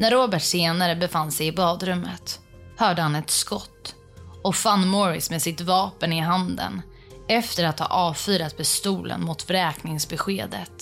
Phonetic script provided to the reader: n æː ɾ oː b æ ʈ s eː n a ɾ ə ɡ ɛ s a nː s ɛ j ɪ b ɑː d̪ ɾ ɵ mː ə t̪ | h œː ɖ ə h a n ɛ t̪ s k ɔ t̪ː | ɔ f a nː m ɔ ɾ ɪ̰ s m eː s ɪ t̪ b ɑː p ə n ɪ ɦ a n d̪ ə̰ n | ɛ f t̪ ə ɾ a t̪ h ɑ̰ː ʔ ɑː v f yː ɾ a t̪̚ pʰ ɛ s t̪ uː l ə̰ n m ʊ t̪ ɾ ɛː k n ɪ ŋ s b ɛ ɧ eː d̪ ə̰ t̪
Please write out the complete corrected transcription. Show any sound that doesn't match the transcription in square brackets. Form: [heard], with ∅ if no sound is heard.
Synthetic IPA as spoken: n [æ] ɾ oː b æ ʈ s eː n a ɾ ə [b] ɛ [f] a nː s ɛ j ɪ b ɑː d̪ ɾ ɵ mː ə t̪ | h œː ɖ ə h a n ɛ t̪ s k ɔ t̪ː | ɔ f a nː m ɔ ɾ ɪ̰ s m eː s ɪ t̪ [v] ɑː p ə n ɪ ɦ a n d̪ ə̰ n | ɛ f t̪ ə ɾ a t̪ h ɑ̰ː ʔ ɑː v f yː ɾ a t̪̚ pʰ ɛ s t̪ uː l ə̰ n m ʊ t̪ ɾ ɛː k n ɪ ŋ s b ɛ ɧ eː d̪ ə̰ t̪